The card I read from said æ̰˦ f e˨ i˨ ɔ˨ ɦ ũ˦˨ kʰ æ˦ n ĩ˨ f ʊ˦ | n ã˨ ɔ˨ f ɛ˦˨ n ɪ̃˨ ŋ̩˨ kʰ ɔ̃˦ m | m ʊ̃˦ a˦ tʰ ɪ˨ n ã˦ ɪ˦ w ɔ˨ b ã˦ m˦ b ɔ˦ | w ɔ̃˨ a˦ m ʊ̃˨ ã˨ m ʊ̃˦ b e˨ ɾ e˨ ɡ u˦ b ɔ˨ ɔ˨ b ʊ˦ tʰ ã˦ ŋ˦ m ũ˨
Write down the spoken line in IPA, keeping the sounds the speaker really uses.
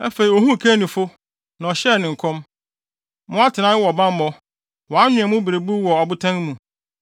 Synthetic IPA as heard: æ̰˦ f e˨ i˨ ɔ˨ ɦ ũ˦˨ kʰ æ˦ n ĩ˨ f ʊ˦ | n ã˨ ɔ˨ ɕ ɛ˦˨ n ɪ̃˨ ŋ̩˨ kʰ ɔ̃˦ m | m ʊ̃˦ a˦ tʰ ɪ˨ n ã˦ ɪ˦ w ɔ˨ b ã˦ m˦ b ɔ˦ | w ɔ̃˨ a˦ ɲ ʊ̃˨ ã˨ m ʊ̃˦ b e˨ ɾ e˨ b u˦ w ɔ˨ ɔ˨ b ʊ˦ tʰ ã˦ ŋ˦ m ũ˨